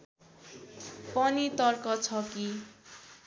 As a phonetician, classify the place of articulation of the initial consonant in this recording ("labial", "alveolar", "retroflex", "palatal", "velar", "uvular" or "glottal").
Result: labial